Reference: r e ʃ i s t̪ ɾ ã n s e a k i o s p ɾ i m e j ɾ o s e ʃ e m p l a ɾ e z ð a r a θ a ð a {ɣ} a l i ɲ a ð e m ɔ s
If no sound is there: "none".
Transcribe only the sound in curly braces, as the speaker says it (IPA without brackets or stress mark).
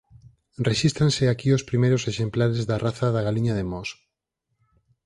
ɣ